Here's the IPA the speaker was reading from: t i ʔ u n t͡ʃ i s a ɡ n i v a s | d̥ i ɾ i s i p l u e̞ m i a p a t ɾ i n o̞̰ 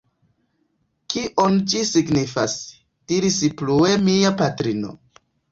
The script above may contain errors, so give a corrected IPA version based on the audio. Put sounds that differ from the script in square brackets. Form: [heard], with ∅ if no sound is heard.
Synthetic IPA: [k] i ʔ [o] n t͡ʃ i s [i] ɡ n i [f] a s | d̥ i ɾ i s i p l u e̞ m i a p a t ɾ i n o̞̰